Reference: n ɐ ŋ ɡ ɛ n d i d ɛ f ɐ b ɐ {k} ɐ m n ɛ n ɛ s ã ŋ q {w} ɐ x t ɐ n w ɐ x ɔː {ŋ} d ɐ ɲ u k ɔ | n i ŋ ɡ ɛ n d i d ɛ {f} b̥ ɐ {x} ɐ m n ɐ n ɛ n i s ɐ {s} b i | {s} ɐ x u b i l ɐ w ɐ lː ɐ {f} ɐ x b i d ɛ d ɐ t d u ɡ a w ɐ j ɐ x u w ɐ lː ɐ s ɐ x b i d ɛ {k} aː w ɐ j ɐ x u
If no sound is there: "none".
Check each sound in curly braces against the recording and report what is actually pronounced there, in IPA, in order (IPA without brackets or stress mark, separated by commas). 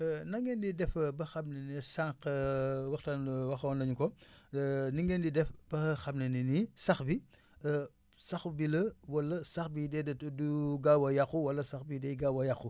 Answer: x, w, n, f, x, x, s, s, ɡ